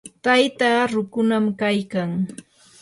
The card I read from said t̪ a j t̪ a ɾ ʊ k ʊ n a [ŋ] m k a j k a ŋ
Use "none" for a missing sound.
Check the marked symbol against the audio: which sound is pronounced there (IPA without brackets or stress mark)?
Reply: none